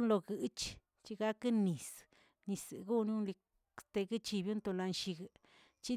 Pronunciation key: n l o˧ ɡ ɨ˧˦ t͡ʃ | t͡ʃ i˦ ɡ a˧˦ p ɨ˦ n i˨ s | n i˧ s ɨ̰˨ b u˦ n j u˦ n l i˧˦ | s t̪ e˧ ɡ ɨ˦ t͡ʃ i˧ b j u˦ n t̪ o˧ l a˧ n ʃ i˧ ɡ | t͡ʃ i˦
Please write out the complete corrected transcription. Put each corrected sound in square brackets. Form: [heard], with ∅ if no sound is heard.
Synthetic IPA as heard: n l o˧ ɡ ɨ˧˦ t͡ʃ | t͡ʃ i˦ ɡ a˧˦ [k] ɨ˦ n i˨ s | n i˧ s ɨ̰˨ [ɡ] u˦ n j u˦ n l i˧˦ | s t̪ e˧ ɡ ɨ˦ t͡ʃ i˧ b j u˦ n t̪ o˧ l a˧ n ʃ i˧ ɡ | t͡ʃ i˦